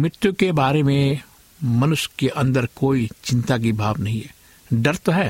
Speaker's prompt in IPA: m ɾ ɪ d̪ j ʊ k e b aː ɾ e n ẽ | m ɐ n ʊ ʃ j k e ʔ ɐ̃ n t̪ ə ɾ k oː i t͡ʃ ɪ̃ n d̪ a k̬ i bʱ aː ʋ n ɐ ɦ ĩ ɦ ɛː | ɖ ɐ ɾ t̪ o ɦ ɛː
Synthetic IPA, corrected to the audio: m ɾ ɪ t̪ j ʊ k e b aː ɾ e m ẽ | m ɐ n ʊ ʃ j k e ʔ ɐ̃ n d̪ ə ɾ k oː i t͡ʃ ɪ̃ n t̪ a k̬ i bʱ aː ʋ n ɐ ɦ ĩ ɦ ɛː | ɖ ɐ ɾ t̪ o ɦ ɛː